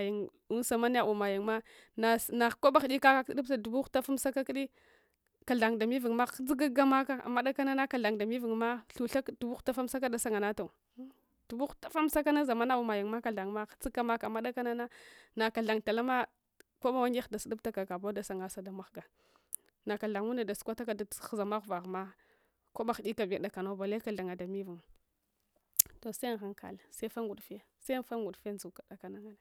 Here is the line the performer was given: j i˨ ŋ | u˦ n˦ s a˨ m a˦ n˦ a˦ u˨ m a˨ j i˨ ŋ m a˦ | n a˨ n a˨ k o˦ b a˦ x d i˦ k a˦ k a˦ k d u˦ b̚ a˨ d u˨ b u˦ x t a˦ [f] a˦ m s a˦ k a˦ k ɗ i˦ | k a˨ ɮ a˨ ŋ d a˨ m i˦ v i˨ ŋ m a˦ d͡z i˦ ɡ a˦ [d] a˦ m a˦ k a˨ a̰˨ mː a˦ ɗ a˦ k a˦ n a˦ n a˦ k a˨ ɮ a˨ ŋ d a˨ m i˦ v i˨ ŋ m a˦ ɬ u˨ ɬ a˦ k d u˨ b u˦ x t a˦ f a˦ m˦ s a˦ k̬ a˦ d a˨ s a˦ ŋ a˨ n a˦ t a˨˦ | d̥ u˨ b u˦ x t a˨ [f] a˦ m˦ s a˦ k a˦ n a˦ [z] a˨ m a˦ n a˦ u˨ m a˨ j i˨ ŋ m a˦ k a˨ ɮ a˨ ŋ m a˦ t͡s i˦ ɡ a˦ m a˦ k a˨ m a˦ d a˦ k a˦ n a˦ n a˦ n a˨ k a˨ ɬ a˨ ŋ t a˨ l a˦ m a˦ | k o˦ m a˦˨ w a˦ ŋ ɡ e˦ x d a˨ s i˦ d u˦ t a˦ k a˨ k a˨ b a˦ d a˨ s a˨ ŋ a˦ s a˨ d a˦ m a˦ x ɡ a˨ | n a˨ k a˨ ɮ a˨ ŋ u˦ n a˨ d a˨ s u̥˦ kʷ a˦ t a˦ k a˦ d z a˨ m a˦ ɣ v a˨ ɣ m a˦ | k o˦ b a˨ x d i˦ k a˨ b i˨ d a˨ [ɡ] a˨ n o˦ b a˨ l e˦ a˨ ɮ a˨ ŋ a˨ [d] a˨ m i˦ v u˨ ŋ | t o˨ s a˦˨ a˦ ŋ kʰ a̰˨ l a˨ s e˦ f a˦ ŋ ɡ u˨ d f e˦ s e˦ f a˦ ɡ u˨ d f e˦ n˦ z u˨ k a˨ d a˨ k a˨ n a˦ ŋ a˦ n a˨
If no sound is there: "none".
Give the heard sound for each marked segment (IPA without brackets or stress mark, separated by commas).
f, ɡ, f, z, k, d